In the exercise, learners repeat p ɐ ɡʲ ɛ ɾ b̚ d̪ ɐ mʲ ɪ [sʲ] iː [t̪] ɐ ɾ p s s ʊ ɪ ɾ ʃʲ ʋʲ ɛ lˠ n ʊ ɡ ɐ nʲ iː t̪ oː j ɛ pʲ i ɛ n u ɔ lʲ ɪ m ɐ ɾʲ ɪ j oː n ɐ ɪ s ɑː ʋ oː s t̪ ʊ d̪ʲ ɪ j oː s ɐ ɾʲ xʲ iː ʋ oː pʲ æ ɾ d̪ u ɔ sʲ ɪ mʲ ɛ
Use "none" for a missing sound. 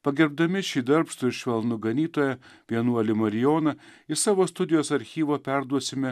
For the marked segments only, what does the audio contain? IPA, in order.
ʃʲ, d̪

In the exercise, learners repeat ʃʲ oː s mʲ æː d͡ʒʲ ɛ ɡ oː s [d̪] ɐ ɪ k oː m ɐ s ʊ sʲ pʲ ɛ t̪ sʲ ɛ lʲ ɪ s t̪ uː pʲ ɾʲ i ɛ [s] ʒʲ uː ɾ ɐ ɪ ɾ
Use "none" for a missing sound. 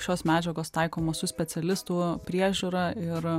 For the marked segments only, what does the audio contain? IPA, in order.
t̪, none

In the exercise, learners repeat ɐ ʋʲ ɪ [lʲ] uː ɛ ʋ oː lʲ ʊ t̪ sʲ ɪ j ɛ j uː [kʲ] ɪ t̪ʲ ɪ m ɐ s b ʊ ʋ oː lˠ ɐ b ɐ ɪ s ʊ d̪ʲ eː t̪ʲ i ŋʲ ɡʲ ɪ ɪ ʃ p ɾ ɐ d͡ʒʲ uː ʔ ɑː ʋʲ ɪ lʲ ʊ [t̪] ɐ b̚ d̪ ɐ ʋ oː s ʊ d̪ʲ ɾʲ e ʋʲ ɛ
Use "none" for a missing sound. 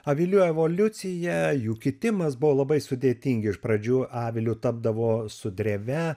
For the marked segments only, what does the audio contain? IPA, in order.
lʲ, kʲ, t̪

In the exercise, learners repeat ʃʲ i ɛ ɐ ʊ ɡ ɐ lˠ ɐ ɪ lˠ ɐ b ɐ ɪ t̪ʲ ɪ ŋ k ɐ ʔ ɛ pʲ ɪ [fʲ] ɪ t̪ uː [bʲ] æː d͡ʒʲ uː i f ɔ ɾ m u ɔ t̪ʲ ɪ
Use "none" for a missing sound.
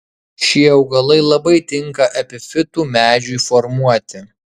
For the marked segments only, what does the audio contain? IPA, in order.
fʲ, mʲ

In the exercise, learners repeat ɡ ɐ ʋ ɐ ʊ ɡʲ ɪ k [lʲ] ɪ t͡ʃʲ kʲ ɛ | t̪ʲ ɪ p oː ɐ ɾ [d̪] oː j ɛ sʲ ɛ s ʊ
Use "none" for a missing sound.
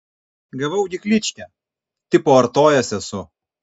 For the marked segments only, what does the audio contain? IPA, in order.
lʲ, t̪

